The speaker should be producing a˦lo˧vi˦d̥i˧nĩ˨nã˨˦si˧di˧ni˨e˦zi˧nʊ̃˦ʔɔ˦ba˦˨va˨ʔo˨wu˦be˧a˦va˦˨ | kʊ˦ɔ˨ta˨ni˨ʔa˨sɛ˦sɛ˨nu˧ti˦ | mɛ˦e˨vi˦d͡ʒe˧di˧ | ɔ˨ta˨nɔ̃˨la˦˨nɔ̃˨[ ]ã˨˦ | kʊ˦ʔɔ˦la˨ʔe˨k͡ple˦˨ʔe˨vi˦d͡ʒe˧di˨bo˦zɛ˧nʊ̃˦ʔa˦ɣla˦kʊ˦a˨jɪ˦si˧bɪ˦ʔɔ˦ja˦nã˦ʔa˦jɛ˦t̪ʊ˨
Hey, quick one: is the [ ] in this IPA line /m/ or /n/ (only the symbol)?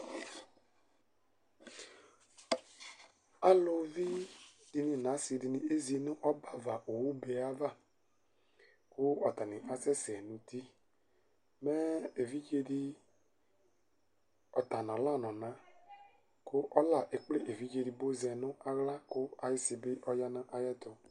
n